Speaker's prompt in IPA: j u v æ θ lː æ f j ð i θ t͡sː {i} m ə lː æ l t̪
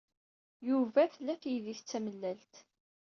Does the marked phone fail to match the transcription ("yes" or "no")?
yes